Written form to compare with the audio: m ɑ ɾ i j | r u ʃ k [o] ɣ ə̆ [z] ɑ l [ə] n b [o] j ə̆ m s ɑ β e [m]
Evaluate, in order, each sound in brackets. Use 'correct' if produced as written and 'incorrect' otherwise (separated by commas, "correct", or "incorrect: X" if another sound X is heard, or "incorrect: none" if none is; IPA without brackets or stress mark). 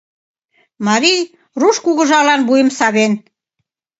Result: incorrect: u, incorrect: ʒ, incorrect: ɑ, incorrect: u, incorrect: n